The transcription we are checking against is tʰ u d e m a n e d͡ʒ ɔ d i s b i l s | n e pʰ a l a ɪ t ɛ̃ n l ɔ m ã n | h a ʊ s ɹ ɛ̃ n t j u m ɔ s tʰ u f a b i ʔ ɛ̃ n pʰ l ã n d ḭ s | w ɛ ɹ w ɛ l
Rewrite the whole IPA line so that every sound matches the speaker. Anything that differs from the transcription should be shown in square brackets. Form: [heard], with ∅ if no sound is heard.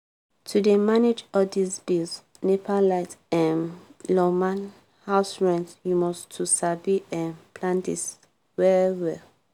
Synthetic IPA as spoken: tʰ u d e m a n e d͡ʒ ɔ d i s b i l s | n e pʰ a l a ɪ t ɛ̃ n l ɔ m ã n | h a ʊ s ɹ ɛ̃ n t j u m ɔ s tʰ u [s] a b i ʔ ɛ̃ n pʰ l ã n d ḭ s | w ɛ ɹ w ɛ l